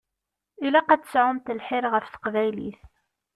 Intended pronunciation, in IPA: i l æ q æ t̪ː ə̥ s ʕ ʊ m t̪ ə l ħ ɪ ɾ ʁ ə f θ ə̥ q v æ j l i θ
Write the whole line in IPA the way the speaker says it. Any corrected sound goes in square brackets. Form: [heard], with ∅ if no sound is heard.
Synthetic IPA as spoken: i l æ q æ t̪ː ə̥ s ʕ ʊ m t̪ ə l ħ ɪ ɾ ʁ ə f θ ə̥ q v æ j l i θ